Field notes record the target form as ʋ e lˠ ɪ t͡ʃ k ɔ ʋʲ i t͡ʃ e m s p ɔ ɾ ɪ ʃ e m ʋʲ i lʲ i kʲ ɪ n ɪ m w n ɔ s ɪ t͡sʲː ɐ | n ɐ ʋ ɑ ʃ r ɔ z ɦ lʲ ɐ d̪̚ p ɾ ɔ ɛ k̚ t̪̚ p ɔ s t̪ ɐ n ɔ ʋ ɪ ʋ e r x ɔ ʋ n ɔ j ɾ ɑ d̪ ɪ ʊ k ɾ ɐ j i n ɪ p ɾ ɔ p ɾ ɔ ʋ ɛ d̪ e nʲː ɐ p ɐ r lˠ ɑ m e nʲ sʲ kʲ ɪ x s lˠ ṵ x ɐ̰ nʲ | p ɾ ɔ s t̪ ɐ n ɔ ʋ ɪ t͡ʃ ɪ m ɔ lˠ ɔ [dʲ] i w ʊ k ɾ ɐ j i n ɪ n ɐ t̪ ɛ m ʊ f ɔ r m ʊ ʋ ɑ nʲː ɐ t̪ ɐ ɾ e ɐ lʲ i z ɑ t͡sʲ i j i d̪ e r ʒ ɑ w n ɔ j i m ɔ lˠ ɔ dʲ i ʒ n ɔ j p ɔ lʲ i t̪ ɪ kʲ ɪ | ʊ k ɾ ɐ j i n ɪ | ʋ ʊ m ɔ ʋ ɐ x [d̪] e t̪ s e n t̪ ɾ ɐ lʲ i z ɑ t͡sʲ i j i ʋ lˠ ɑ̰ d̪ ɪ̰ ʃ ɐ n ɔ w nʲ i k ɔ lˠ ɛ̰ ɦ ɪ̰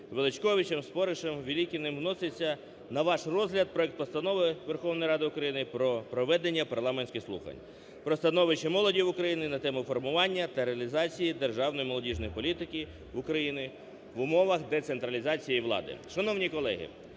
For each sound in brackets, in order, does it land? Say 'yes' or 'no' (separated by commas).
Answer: yes, yes